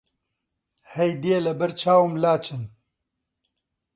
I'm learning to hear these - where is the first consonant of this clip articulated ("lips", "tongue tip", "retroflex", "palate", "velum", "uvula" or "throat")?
throat